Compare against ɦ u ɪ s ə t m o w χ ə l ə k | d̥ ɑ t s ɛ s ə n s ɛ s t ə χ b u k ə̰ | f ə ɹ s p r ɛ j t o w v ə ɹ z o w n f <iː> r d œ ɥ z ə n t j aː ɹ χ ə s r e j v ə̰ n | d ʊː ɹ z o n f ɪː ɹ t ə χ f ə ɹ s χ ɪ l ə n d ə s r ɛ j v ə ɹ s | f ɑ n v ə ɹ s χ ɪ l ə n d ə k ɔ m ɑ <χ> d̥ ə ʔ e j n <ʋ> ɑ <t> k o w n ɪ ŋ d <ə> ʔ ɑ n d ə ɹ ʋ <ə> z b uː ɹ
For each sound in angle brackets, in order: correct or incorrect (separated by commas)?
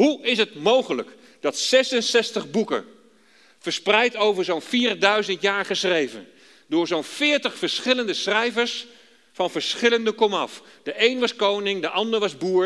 correct, incorrect, correct, incorrect, correct, incorrect